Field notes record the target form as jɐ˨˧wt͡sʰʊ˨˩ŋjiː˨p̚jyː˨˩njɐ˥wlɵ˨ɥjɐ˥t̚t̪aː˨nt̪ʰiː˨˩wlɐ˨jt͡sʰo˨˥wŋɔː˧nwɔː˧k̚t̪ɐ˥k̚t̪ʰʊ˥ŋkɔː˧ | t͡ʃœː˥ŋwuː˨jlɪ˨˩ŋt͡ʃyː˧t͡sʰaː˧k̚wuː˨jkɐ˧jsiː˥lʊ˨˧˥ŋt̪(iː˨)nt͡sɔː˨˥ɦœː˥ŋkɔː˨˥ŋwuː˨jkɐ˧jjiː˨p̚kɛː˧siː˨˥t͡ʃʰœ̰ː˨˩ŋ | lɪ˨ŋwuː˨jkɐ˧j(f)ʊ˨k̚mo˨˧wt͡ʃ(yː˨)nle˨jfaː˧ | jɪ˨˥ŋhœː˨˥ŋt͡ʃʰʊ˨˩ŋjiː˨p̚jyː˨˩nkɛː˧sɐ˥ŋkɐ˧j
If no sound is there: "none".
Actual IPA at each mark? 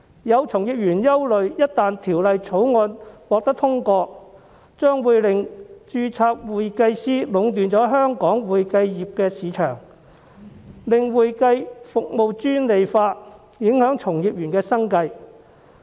yː˨, f, yː˥

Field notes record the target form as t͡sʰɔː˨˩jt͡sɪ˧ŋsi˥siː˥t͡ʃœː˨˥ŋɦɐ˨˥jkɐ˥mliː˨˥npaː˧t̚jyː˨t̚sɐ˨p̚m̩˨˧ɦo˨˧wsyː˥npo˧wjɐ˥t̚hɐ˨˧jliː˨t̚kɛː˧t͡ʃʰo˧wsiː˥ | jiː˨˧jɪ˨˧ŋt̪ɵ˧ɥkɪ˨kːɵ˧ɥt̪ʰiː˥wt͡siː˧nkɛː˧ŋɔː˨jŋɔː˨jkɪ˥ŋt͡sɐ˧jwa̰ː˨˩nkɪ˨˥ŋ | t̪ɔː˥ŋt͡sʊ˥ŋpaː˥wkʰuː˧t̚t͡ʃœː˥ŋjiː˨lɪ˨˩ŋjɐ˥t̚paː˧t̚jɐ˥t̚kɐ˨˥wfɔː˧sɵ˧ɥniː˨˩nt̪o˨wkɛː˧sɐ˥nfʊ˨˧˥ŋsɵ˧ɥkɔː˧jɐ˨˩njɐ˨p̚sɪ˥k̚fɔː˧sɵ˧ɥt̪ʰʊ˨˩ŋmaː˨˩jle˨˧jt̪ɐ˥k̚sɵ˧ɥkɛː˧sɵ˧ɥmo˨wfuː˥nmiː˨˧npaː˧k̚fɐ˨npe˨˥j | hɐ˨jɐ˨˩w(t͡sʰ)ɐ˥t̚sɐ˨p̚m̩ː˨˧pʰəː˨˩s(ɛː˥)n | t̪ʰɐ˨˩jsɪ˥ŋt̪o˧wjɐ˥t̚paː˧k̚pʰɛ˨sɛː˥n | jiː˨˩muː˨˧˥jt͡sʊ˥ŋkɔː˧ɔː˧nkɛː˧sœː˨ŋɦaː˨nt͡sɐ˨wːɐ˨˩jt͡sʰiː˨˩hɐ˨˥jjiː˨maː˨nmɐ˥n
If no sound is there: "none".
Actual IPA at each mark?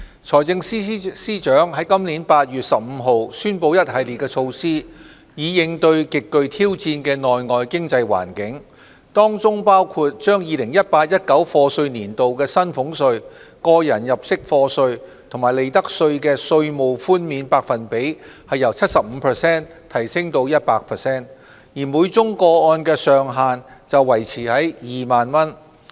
t͡sʰ, ɛː˥

